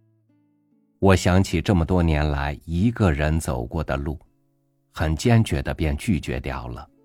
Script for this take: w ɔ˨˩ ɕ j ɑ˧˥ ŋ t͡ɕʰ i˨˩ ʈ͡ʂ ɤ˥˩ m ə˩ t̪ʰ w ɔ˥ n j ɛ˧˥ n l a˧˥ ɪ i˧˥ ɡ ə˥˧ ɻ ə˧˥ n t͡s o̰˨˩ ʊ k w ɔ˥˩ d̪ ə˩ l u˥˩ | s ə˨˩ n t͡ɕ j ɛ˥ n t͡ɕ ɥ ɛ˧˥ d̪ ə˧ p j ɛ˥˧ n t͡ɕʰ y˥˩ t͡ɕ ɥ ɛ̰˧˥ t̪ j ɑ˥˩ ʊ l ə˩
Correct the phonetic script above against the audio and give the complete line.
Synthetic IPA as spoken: w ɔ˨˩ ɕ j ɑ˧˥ ŋ t͡ɕʰ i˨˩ ʈ͡ʂ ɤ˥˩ m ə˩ t̪ w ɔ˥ n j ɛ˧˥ n l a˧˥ ɪ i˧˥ ɡ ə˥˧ ɻ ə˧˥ n t͡s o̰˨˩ ʊ k w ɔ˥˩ d̪ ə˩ l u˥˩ | x ə˨˩ n t͡ɕ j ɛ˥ n t͡ɕ ɥ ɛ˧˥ d̪ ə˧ p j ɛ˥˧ n t͡ɕ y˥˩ t͡ɕ ɥ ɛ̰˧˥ t̪ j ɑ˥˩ ʊ l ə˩